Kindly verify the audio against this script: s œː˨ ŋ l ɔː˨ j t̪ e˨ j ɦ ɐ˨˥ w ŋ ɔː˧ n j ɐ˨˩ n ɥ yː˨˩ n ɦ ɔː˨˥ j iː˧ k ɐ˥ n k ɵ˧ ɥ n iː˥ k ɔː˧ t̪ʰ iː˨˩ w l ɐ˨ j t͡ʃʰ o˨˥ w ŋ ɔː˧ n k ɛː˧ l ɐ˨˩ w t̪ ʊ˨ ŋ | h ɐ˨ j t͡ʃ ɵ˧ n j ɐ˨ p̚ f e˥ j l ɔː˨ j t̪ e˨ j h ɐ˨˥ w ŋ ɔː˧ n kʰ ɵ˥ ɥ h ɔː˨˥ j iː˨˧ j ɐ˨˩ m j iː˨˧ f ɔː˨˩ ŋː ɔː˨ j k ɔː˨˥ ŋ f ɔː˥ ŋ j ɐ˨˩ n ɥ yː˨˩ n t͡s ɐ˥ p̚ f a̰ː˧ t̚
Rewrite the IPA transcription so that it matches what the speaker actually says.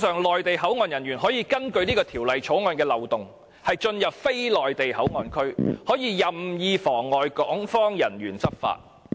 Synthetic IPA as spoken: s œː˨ ŋ l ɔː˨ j t̪ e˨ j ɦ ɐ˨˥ w ŋ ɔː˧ n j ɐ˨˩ n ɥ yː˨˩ n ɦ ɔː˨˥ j iː˧ k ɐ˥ n k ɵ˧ ɥ n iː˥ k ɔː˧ t̪ʰ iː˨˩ w l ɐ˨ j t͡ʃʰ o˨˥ w ŋ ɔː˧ n k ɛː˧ l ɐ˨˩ w t̪ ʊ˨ ŋ | h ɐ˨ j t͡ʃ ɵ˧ n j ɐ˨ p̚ f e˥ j l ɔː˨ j t̪ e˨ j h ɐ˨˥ w ŋ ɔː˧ n kʰ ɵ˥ ɥ h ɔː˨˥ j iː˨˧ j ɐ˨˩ m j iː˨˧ f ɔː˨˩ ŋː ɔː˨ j k ɔː˨˥ ŋ f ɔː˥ ŋ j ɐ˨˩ n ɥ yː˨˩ n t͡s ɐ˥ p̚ f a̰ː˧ t̚

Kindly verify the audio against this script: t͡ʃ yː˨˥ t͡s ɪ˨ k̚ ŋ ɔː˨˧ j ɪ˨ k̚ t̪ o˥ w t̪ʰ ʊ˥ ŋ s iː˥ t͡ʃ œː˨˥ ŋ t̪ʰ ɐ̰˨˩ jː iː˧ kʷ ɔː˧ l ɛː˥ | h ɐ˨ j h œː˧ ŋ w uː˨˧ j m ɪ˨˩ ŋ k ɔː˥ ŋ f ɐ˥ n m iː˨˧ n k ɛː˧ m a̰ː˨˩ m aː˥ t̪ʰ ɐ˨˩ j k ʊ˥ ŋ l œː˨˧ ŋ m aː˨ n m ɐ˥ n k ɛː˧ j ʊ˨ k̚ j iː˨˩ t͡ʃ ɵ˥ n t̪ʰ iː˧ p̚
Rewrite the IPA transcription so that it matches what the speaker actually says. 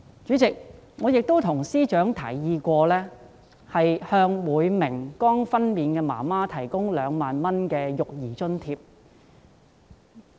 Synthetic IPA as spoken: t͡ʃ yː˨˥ t͡s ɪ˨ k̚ ŋ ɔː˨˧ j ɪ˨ k̚ t̪ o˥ w t̪ʰ ʊ˨˩ ŋ s iː˥ t͡ʃ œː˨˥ ŋ t̪ʰ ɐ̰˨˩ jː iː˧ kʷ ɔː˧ l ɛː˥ | h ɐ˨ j h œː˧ ŋ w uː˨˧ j m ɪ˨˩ ŋ k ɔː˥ ŋ f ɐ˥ n m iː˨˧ n k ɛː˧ m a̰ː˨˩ m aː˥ t̪ʰ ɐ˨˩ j k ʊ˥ ŋ l œː˨˧ ŋ m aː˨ n m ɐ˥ n k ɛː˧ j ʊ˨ k̚ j iː˨˩ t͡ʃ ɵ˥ n t̪ʰ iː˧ p̚

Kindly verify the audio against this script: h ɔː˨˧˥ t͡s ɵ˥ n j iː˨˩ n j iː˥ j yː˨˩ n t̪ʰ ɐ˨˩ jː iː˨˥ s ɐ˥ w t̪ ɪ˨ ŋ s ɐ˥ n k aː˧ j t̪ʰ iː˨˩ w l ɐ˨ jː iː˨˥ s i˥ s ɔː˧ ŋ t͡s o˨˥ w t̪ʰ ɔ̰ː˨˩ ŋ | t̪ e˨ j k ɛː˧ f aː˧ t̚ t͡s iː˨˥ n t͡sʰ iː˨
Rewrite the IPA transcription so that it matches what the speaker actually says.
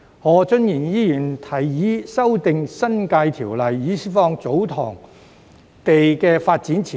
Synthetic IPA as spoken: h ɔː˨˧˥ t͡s ɵ˥ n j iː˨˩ n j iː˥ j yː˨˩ n t̪ʰ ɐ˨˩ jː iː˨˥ s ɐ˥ w t̪ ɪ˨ ŋ s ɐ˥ n k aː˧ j t̪ʰ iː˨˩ w l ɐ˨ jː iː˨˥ s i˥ f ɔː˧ ŋ t͡s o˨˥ w t̪ʰ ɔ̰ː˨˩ ŋ | t̪ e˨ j k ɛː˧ f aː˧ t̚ t͡s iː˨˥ n t͡sʰ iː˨

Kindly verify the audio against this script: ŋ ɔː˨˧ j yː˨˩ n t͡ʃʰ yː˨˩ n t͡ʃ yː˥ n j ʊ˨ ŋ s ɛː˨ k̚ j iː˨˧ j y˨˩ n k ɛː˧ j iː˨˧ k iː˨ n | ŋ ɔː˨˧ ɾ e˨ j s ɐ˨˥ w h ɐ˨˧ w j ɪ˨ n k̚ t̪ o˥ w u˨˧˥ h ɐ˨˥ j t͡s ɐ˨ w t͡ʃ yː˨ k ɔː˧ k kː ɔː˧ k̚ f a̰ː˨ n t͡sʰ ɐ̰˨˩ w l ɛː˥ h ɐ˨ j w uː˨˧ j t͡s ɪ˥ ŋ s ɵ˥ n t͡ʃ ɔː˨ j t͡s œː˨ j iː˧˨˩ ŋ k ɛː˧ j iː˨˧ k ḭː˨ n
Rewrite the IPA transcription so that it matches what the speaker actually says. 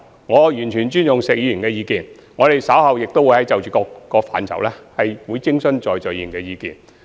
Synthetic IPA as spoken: ŋ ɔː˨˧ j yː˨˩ n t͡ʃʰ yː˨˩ n t͡ʃ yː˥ n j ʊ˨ ŋ s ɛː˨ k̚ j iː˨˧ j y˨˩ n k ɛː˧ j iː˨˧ k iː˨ n | ŋ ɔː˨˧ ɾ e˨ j s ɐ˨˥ w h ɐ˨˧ w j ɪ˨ k̚ t̪ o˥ w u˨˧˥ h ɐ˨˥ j t͡s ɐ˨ w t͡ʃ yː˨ k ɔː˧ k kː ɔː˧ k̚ f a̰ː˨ n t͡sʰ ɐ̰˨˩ w l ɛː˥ h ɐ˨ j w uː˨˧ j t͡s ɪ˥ ŋ s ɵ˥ n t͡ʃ ɔː˨ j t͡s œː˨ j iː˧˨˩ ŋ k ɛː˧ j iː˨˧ k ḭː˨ n

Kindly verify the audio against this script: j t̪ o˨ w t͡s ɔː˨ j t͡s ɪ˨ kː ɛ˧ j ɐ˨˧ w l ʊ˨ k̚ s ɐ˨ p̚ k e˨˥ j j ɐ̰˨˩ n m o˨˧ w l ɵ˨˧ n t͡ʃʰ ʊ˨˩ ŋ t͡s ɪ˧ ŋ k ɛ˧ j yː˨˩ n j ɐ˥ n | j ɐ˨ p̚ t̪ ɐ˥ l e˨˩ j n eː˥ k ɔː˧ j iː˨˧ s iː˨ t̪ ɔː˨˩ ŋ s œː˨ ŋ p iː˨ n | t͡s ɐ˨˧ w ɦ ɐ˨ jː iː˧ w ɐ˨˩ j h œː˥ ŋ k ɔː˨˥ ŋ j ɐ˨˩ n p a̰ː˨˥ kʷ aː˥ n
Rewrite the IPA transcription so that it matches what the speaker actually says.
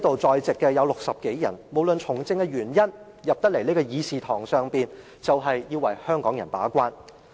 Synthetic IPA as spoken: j t̪ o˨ w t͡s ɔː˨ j t͡s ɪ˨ kː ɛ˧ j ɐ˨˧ w l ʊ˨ k̚ s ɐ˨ p̚ k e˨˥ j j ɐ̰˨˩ n m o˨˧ w l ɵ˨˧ n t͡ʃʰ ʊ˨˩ ŋ t͡s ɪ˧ ŋ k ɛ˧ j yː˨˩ n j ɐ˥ n | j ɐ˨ p̚ t̪ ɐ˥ l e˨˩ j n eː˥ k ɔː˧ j iː˨˧ s iː˨ t̪ʰ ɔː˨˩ ŋ s œː˨ ŋ p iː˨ n | t͡s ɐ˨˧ w ɦ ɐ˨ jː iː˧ w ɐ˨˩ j h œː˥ ŋ k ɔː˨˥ ŋ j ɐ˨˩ n p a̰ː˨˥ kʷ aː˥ n

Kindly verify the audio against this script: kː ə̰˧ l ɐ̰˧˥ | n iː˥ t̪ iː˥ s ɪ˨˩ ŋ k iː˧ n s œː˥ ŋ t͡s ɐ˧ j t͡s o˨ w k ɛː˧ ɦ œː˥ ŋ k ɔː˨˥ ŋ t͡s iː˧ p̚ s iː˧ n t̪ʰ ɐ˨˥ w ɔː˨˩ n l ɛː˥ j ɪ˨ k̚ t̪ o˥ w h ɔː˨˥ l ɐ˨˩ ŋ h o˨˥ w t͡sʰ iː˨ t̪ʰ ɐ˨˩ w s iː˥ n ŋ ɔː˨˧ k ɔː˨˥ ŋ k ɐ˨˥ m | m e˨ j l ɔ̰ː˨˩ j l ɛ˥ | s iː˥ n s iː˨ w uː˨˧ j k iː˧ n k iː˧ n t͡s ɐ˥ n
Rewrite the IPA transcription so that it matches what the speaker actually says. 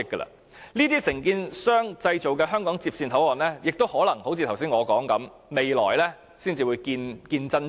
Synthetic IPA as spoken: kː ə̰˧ l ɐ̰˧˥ | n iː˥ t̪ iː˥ s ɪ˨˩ ŋ k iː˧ n s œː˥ ŋ t͡s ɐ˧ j t͡s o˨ w k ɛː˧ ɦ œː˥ ŋ k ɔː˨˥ ŋ t͡s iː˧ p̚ s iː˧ n t̪ʰ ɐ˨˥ w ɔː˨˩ n l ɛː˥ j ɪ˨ k̚ t̪ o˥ w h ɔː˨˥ l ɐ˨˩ ŋ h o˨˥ w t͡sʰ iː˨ t̪ʰ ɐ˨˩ w s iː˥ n ŋ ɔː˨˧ k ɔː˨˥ ŋ k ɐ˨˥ m | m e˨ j l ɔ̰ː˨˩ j l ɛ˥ | s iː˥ n t͡s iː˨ w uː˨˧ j k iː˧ n k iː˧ n t͡s ɐ˥ n

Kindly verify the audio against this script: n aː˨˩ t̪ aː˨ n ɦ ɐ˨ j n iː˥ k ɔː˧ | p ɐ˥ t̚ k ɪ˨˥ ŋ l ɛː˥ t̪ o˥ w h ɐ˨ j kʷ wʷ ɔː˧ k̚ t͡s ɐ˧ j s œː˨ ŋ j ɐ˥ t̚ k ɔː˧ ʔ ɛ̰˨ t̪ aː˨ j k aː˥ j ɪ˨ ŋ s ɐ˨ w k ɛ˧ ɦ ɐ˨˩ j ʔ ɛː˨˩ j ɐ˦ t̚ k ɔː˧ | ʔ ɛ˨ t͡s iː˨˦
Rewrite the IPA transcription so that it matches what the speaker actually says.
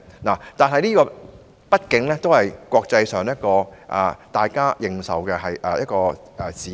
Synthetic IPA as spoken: n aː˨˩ t̪ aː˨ n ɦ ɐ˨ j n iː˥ k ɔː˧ | p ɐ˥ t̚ k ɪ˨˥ ŋ l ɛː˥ t̪ o˥ w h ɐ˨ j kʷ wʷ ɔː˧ k̚ t͡s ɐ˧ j s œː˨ ŋ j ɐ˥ t̚ k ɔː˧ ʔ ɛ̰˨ t̪ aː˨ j k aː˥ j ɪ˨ ŋ s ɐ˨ w k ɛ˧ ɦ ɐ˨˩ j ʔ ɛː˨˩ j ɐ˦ t̚ k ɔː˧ | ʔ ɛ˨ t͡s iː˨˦

